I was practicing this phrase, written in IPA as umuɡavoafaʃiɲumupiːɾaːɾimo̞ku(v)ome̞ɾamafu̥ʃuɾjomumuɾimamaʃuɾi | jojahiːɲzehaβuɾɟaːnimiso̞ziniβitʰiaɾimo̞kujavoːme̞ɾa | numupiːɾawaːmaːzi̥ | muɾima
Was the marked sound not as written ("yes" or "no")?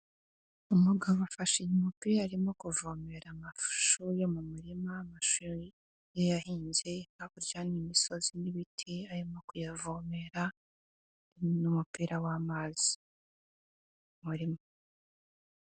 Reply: no